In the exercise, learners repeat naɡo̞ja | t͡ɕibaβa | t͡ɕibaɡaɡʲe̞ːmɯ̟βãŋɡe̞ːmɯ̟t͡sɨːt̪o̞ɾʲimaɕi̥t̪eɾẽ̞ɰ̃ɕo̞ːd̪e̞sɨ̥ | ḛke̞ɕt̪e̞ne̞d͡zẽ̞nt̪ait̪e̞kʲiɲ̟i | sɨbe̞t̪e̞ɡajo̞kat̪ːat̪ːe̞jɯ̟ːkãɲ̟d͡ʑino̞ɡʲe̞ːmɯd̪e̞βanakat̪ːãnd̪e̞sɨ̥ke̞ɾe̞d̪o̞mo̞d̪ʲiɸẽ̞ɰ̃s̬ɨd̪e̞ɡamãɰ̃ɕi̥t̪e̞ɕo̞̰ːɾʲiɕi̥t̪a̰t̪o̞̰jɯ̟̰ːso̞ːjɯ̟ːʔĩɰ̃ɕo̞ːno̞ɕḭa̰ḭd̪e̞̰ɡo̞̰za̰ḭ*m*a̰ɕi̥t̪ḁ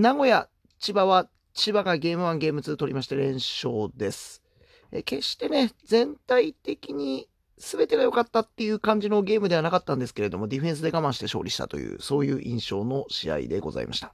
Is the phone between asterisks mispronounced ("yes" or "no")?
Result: no